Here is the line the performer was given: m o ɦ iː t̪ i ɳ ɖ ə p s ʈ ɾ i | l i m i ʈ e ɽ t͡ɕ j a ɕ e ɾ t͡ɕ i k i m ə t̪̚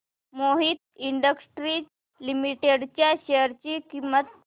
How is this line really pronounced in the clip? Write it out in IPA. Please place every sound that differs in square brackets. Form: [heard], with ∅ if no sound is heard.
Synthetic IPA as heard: m o ɦ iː t̪ i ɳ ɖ ə [k] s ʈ ɾ i | l i m i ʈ e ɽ t͡ɕ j a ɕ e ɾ t͡ɕ i k i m ə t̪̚